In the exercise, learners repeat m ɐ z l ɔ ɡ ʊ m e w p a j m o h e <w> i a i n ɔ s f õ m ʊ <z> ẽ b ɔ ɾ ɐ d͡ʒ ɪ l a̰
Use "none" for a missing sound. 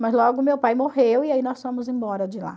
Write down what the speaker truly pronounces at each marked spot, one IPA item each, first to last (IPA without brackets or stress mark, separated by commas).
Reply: w, z